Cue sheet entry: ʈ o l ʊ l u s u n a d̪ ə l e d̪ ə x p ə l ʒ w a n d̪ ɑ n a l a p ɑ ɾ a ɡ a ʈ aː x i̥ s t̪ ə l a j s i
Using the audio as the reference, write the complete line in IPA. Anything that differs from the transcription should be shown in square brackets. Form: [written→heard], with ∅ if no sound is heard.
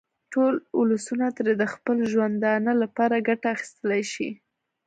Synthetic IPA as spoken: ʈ o l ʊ l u s u n a [d̪→t̪] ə [l→ɾ] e d̪ ə x p ə l ʒ w a n d̪ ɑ n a l a p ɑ ɾ a ɡ a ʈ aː x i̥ s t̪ ə l a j [s→ʃ] i